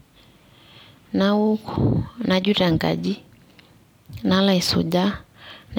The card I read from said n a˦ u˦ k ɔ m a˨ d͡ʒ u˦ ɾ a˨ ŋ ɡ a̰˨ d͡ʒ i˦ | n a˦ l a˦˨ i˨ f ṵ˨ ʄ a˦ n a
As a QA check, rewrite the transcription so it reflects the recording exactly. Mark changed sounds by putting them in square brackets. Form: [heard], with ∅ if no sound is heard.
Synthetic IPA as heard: n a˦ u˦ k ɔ [n] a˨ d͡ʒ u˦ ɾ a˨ ŋ ɡ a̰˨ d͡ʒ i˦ | n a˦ l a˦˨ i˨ [s] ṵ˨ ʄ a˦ n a